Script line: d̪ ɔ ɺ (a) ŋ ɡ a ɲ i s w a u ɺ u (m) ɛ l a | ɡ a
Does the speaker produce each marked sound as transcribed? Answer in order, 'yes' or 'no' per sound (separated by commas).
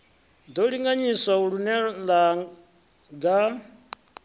no, no